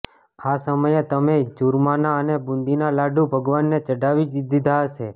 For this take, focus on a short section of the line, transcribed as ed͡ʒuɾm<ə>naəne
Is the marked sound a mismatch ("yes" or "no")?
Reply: yes